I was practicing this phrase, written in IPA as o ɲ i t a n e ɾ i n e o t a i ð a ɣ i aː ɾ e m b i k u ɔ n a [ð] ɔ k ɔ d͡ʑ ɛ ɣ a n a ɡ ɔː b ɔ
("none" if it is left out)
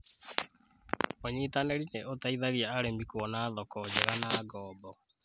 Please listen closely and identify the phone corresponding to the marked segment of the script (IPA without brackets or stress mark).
ð